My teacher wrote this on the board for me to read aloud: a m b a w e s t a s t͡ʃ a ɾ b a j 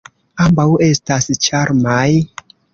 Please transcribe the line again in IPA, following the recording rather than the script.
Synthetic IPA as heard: a m b a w e s t a s t͡ʃ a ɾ m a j